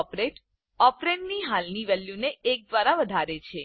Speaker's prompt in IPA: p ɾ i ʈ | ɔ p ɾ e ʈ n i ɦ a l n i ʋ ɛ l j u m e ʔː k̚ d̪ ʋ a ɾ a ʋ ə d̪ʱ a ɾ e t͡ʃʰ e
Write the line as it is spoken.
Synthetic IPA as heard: p ɾ e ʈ | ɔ p ɾ e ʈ n i ɦ a l n i ʋ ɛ l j u n e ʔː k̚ d̪ ʋ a ɾ a ʋ ə d̪ʱ a ɾ e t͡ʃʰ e